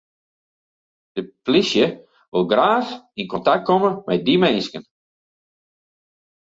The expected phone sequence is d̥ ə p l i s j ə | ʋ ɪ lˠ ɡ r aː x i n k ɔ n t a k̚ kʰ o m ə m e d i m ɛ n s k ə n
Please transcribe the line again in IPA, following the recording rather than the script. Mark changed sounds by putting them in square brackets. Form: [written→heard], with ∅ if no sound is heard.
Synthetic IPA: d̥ ə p l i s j ə | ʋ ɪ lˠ ɡ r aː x i n k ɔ n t a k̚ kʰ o m ə m [e→ɛ] d i m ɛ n s k ə n